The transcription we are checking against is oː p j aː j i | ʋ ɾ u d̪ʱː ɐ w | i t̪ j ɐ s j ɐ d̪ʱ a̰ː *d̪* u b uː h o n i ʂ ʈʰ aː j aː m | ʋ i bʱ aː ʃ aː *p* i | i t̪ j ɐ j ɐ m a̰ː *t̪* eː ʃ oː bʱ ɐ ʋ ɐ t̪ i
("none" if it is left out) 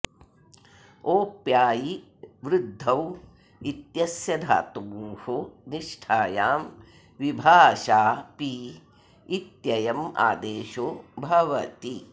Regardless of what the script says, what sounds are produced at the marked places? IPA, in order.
t̪, p, d̪

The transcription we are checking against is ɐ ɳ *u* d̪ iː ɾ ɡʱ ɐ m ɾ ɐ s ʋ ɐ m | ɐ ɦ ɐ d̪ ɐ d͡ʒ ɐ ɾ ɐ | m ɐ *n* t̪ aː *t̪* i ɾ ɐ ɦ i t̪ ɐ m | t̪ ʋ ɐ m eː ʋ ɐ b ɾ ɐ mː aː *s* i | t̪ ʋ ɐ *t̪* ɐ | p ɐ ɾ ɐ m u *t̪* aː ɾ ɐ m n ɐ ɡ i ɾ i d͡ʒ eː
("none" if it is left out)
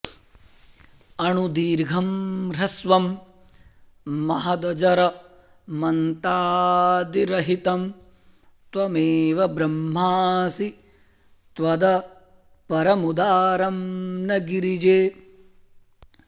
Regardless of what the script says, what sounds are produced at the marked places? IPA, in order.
u, n, d̪, s, d̪, d̪

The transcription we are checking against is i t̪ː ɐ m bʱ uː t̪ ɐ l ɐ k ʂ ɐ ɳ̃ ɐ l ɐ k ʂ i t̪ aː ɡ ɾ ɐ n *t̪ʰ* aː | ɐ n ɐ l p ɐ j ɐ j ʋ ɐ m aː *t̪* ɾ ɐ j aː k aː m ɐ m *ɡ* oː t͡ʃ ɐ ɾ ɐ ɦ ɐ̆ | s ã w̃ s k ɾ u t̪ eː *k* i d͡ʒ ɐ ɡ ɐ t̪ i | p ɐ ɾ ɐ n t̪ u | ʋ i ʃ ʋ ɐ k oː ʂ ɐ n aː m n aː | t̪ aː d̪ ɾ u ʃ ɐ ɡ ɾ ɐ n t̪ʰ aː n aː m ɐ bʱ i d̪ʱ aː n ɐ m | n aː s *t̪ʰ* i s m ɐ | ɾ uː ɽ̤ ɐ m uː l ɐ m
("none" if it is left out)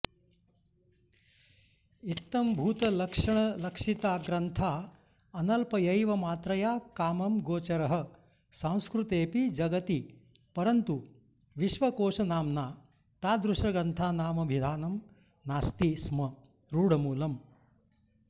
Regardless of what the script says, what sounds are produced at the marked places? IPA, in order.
t̪ʰ, t̪, ɡ, p, t̪

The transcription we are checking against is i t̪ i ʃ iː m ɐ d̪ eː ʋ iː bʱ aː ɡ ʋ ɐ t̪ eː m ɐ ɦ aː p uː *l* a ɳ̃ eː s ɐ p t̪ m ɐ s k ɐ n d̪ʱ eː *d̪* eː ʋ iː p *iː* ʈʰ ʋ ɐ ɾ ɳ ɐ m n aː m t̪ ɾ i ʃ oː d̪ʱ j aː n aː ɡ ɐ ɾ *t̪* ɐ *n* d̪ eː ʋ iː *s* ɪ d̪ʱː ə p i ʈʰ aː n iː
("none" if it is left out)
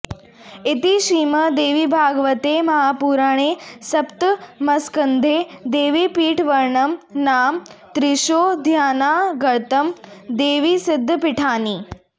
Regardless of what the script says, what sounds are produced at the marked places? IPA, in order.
ɾ, d̪, iː, t̪, m, s

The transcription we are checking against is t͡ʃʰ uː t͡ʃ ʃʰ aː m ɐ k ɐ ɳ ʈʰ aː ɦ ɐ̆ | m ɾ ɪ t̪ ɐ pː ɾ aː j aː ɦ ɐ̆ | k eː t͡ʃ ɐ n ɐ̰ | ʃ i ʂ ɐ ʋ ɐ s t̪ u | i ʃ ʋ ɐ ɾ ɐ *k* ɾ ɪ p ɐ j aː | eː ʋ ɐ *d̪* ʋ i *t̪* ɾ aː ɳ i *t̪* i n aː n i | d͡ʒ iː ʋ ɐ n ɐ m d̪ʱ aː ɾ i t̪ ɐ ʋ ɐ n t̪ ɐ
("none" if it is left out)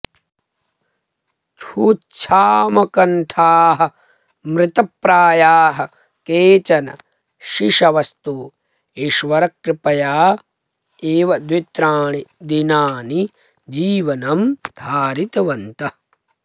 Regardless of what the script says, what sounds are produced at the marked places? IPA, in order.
k, d̪, t̪, d̪

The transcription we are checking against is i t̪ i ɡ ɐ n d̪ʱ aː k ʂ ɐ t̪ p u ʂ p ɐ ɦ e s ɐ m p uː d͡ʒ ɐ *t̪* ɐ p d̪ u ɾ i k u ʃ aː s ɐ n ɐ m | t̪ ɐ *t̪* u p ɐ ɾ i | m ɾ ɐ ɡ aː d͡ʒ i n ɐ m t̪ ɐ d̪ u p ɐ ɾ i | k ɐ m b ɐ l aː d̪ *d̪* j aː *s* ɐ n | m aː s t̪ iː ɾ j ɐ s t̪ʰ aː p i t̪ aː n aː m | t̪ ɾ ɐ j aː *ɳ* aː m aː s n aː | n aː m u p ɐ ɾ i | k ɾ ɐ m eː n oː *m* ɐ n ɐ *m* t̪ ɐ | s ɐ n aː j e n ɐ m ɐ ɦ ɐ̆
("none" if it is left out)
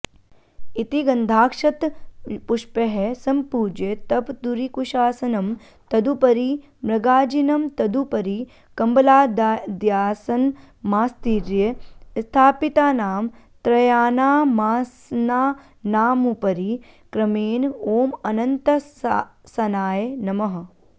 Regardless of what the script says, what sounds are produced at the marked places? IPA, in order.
t̪, d̪, d̪, s, n, m, n

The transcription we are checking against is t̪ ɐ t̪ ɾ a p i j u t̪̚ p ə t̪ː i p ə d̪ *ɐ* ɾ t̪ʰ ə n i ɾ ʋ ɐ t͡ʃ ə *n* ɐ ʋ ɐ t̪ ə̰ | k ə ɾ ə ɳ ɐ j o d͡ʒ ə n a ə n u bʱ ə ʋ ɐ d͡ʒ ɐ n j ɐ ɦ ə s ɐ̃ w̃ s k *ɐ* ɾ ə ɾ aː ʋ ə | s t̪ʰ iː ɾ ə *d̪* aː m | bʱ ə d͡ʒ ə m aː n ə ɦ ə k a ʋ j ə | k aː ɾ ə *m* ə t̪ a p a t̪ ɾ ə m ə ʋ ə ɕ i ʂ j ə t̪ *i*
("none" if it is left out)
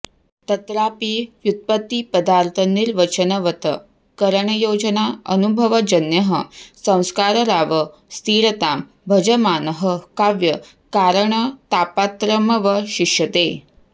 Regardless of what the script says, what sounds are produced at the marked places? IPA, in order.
a, n, a, t̪, ɳ, e

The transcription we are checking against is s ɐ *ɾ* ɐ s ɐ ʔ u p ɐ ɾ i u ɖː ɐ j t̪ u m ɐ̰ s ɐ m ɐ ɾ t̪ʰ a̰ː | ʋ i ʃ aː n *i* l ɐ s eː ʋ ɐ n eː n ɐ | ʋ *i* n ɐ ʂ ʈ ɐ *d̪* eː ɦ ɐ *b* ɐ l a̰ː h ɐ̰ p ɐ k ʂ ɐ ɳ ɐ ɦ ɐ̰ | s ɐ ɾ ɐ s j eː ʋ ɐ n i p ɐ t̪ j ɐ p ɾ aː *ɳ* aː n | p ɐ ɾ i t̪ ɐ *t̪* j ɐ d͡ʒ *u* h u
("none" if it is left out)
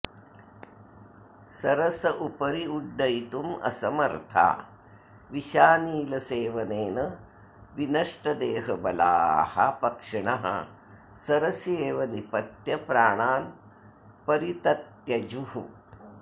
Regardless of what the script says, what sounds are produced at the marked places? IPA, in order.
ɾ, iː, i, d̪, b, ɳ, t̪, u

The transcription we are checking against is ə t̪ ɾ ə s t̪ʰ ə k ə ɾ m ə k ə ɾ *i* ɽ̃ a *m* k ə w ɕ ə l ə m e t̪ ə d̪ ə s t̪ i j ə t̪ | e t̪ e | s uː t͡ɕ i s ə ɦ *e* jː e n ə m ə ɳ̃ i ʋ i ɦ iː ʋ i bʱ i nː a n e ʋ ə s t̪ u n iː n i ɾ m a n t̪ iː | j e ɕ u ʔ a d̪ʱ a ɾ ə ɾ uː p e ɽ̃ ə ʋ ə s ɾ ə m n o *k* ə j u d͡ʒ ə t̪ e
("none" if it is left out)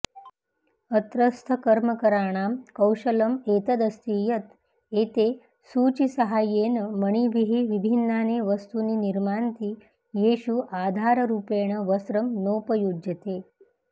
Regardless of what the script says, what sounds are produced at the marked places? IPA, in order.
a, m, a, p

